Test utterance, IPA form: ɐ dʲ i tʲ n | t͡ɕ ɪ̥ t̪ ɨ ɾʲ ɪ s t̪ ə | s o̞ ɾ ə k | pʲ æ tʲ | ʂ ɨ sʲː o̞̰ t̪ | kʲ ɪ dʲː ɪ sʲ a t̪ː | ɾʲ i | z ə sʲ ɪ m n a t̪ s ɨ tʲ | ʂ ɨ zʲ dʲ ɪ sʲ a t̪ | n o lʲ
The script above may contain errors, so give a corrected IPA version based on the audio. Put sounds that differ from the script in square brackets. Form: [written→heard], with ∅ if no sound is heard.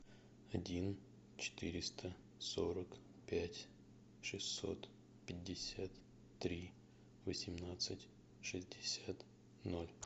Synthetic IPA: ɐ dʲ i [tʲ→∅] n | t͡ɕ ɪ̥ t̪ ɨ ɾʲ ɪ s t̪ ə | s o̞ ɾ ə k | pʲ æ tʲ | ʂ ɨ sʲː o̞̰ t̪ | [kʲ→pʲ] ɪ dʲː ɪ sʲ a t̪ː | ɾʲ i | [z→v] ə sʲ ɪ m n a t̪ s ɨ tʲ | ʂ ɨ zʲ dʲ ɪ sʲ a t̪ | n o lʲ